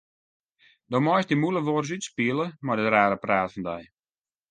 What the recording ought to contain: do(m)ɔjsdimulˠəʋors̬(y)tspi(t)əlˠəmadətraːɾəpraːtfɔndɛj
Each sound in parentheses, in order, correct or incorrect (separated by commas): correct, correct, incorrect